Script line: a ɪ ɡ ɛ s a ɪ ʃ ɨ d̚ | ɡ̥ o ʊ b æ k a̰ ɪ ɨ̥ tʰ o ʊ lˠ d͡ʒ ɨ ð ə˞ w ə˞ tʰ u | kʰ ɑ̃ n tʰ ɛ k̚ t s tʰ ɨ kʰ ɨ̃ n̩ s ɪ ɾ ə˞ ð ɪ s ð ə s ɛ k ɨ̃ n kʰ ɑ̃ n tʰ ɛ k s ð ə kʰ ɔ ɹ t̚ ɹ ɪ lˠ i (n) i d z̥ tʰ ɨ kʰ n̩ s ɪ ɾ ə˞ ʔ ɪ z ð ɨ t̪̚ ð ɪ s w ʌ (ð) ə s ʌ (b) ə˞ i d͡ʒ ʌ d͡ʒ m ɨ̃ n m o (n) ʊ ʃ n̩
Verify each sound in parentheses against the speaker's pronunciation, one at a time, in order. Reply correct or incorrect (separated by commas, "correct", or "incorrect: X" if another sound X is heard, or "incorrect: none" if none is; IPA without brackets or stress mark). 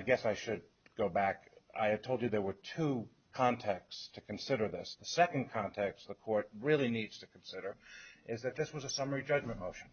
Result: correct, incorrect: z, incorrect: m, incorrect: none